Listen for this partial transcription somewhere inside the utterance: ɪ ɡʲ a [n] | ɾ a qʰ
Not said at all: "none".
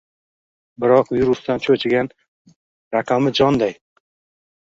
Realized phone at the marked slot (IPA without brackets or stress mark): n